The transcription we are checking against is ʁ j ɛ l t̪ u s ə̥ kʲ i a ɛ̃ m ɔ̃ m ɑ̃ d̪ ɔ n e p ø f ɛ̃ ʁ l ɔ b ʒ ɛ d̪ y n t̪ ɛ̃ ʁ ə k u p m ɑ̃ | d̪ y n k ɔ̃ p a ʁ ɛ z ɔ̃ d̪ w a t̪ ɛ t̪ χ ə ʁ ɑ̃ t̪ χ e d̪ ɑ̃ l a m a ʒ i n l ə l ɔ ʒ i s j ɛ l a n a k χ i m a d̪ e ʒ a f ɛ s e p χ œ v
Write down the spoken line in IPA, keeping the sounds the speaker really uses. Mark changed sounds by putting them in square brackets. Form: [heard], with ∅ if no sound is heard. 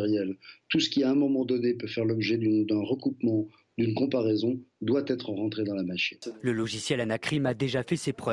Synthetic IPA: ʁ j ɛ l t̪ u s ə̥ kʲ i a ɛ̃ m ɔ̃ m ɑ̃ d̪ ɔ n e p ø f [ɛ] ʁ l ɔ b ʒ ɛ d̪ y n [d̪] ɛ̃ ʁ ə k u p m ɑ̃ | d̪ y n k ɔ̃ p a ʁ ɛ z ɔ̃ d̪ w a t̪ ɛ t̪ χ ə ʁ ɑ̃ t̪ χ e d̪ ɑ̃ l a m a [ʃ] i n l ə l ɔ ʒ i s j ɛ l a n a k χ i m a d̪ e ʒ a f ɛ s e p χ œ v